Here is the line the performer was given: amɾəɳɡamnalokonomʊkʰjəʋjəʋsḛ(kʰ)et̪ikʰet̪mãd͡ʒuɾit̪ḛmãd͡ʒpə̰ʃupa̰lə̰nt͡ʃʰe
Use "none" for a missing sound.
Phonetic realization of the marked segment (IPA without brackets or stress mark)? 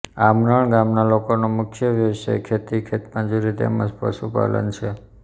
kʰ